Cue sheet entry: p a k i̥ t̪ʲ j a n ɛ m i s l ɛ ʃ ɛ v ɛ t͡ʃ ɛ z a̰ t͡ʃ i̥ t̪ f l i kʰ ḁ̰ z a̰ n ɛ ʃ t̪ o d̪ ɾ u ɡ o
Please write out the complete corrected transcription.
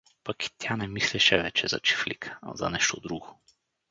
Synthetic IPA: p a k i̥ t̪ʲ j a n ɛ m i s l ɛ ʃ ɛ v ɛ t͡ʃ ɛ z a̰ t͡ʃ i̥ f l i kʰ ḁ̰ z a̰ n ɛ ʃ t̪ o d̪ ɾ u ɡ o